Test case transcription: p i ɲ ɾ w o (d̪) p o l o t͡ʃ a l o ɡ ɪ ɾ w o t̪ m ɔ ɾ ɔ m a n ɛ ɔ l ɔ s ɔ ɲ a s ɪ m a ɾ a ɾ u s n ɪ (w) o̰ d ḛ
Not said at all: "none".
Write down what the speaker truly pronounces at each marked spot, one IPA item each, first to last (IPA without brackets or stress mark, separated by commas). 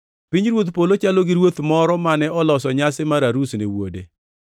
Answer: t̪, w